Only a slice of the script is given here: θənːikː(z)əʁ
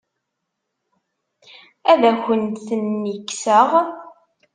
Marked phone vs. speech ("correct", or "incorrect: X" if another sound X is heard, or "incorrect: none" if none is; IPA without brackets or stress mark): incorrect: s